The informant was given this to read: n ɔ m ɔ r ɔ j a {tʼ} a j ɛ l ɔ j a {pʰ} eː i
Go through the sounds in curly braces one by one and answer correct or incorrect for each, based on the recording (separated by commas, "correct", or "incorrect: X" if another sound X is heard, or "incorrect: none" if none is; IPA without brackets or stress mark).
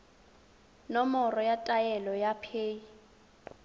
correct, correct